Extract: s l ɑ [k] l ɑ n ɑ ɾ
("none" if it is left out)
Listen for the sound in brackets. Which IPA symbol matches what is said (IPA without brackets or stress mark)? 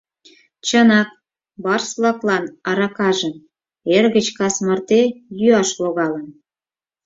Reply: k